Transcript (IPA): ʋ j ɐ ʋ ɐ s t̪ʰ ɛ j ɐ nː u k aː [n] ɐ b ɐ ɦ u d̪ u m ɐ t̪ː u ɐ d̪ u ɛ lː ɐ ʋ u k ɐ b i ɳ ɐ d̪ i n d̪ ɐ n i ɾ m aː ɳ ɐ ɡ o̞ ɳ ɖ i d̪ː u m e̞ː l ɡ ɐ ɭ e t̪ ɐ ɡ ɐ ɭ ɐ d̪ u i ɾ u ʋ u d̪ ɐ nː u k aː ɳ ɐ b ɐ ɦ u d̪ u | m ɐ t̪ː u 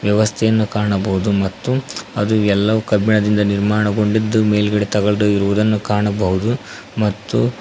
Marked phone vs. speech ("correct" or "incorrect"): incorrect